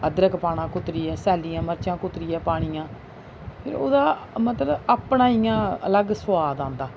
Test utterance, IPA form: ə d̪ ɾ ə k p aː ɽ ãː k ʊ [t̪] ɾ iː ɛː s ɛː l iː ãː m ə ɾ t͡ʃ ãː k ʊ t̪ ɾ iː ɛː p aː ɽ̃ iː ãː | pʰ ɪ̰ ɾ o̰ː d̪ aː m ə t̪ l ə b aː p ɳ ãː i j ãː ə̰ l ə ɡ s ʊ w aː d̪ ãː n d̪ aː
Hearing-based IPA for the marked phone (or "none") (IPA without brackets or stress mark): t̪